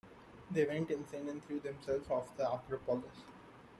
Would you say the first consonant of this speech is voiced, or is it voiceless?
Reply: voiced